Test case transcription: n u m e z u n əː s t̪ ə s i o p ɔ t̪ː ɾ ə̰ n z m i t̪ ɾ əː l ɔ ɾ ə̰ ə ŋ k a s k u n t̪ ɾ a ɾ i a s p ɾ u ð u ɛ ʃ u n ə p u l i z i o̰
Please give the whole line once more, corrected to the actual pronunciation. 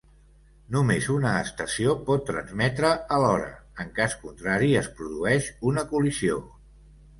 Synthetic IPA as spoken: n u m e z u n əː s t̪ ə s i o p ɔ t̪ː ɾ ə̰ n z m ɛ t̪ ɾ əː l ɔ ɾ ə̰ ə ŋ k a s k u n t̪ ɾ a ɾ i ə s p ɾ u ð u ɛ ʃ u n ə k u l i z i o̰